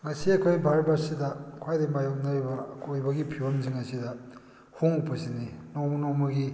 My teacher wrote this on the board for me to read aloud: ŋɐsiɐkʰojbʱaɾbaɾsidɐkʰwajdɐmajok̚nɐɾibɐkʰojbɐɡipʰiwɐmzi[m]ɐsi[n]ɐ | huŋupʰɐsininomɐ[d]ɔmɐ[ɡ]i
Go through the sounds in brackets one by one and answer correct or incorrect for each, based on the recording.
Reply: incorrect, incorrect, incorrect, correct

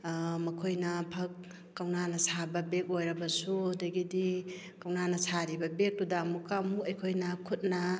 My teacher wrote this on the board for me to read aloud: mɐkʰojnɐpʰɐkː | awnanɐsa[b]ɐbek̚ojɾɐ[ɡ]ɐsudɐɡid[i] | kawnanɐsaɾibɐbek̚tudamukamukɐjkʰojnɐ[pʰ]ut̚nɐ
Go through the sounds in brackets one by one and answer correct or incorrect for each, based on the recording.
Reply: correct, incorrect, correct, incorrect

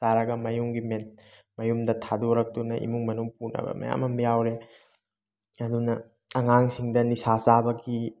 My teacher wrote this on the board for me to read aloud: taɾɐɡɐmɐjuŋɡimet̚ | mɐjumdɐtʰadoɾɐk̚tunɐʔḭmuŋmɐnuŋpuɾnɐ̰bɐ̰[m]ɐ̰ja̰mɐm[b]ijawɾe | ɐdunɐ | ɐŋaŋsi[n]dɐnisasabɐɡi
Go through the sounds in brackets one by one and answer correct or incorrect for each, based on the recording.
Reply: correct, correct, incorrect

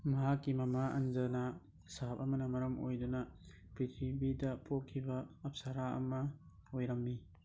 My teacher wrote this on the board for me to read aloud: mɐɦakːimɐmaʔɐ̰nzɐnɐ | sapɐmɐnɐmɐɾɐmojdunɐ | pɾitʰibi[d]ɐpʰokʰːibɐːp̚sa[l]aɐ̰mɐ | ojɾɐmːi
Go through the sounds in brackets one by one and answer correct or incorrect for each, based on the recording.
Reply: correct, incorrect

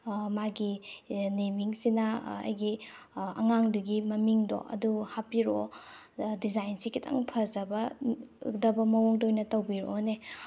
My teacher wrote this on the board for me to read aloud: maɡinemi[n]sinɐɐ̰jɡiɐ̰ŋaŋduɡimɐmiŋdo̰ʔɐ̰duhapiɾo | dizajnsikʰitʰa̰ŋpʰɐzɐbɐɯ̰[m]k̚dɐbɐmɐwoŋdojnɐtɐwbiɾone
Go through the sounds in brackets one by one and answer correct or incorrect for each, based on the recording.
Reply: incorrect, incorrect

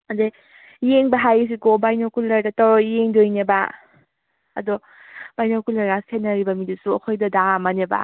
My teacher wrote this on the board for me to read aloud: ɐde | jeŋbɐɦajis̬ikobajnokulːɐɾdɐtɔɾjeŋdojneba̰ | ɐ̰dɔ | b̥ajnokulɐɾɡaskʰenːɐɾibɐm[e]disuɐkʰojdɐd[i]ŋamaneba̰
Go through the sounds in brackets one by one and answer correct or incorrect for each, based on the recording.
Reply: incorrect, incorrect

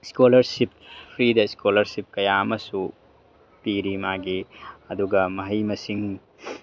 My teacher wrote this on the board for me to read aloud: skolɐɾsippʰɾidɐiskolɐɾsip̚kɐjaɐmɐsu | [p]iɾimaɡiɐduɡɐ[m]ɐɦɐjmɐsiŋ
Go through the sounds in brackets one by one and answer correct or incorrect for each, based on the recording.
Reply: correct, correct

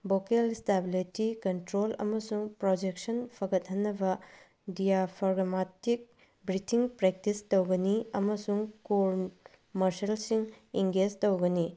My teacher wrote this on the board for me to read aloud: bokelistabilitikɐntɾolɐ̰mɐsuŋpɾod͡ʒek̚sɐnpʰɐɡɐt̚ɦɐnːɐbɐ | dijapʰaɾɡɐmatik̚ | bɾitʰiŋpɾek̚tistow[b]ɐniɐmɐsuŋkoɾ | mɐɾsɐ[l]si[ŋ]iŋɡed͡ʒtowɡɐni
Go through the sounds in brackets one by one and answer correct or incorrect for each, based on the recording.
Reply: incorrect, correct, correct

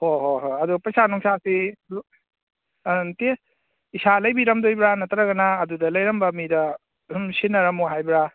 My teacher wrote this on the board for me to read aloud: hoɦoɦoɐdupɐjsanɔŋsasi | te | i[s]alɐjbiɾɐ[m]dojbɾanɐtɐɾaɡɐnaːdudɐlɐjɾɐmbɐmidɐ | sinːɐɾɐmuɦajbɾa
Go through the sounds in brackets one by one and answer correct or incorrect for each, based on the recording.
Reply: correct, correct

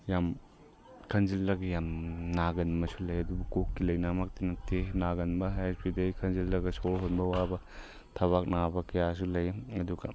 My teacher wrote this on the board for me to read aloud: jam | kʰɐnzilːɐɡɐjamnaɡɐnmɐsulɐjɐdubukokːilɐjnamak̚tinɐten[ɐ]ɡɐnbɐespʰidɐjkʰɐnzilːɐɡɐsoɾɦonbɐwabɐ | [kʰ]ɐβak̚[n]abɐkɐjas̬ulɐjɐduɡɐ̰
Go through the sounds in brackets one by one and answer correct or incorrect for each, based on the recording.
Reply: incorrect, incorrect, correct

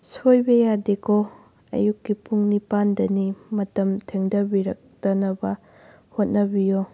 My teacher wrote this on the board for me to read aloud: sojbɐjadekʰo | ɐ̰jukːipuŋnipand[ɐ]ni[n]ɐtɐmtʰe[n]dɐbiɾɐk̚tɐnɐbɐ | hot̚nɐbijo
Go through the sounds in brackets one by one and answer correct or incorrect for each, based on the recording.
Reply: correct, incorrect, incorrect

